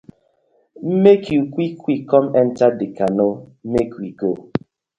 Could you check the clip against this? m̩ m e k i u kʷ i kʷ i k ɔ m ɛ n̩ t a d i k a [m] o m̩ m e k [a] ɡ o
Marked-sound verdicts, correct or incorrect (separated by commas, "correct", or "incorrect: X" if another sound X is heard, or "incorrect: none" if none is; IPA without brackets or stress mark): incorrect: n, incorrect: i